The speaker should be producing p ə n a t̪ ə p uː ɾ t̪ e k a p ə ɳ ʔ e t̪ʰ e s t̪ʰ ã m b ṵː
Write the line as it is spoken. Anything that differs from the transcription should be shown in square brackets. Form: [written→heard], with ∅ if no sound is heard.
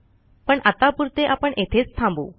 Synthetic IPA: p ə [n→ɳ] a t̪ [ə→a] p [uː→u] ɾ t̪ e [k→ʔ] a p ə ɳ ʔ e t̪ʰ e [s→t͡s] t̪ʰ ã m b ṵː